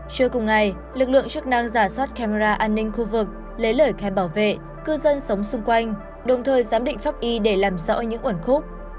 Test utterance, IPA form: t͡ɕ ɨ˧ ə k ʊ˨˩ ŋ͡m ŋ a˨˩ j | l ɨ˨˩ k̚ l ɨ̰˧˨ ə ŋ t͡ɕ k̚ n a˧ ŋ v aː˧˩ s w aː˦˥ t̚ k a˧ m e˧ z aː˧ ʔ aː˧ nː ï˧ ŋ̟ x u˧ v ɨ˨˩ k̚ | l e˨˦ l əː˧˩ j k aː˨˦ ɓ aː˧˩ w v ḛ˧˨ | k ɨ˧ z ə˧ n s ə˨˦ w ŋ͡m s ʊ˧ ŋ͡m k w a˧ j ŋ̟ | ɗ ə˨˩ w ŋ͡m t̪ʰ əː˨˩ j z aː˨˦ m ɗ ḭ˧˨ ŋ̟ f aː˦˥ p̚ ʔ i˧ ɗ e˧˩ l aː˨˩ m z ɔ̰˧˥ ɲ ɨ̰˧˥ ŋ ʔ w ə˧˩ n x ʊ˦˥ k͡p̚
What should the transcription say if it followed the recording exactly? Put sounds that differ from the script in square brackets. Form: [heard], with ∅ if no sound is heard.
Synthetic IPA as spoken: t͡ɕ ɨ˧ ə k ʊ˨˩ ŋ͡m ŋ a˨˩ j | l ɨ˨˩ k̚ l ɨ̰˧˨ ə ŋ t͡ɕ k̚ n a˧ ŋ [z] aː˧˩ s w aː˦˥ t̚ k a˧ m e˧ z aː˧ ʔ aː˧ nː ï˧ ŋ̟ x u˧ v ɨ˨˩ k̚ | l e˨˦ l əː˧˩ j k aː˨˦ ɓ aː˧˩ w v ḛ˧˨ | k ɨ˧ z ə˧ n s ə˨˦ w ŋ͡m s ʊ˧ ŋ͡m k w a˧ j ŋ̟ | ɗ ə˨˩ w ŋ͡m t̪ʰ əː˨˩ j z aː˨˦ m ɗ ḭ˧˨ ŋ̟ f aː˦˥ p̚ ʔ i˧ ɗ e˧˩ l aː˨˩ m z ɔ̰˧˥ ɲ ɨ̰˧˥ ŋ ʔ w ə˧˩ n x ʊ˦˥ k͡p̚